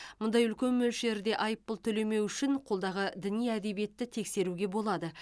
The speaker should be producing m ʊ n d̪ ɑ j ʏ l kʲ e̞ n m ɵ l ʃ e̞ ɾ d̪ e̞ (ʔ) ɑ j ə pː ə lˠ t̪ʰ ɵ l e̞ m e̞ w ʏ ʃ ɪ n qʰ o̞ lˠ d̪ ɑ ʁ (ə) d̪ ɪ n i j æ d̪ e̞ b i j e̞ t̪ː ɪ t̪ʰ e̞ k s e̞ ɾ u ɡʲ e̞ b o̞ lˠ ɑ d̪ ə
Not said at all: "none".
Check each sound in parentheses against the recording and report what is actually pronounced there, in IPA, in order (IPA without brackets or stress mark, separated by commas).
ʔ, ə